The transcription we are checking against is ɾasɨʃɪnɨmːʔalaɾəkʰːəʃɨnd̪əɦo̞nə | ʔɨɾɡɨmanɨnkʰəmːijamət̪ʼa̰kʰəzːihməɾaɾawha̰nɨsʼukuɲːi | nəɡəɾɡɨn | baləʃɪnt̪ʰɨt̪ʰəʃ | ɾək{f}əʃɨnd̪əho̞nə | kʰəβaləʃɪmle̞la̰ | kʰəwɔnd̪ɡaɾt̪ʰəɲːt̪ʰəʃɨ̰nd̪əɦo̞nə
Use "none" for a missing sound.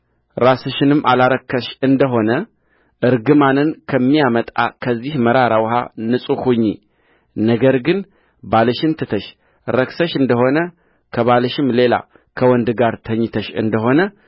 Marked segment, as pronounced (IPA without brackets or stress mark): s